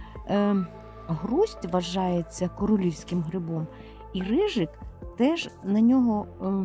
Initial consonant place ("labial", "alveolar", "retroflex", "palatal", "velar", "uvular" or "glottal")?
glottal